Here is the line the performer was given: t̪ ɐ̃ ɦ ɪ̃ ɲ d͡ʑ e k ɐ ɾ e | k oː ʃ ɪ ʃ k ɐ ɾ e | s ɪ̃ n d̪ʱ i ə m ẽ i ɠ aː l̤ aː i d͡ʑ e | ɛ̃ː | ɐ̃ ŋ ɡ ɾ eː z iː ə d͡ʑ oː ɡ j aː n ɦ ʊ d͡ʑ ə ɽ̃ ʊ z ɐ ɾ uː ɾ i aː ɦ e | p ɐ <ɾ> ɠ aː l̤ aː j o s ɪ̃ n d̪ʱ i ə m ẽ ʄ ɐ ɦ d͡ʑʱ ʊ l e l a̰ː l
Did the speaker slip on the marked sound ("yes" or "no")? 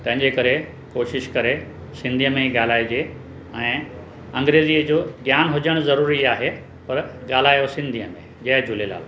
no